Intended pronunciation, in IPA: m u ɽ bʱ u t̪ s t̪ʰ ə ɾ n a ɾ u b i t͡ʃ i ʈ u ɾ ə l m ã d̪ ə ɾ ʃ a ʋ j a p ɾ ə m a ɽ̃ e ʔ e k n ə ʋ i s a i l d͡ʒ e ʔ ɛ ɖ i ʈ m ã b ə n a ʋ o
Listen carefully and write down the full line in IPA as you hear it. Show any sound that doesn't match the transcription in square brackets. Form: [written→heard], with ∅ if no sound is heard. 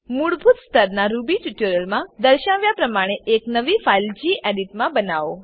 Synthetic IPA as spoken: m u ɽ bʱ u t̪ s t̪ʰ ə ɾ n a ɾ u b i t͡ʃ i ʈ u ɾ ə l m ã d̪ ə ɾ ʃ a ʋ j a p ɾ ə m a ɽ̃ e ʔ e k n ə ʋ i [s→f] a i l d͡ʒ [e→i] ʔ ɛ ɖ i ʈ m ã b ə n a ʋ o